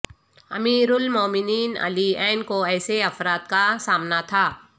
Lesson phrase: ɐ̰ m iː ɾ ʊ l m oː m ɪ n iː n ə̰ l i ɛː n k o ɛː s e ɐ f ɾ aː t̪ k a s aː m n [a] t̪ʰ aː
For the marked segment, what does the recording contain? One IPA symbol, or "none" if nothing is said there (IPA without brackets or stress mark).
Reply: a